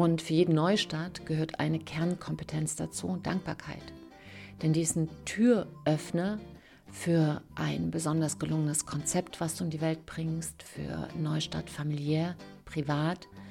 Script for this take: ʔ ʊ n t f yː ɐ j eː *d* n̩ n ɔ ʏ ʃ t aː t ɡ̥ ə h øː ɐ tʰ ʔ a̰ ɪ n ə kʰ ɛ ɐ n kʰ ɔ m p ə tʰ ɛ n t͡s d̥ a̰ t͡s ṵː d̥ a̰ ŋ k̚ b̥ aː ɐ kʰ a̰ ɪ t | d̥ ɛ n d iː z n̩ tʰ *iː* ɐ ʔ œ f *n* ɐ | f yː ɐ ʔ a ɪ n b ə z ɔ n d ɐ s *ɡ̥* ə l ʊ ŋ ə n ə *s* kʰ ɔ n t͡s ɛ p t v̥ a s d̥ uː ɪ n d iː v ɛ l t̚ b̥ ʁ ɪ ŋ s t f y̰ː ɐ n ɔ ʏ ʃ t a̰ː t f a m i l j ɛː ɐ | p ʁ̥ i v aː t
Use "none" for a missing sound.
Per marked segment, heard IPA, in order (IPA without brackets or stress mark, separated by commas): d, yː, n, ɡ̥, s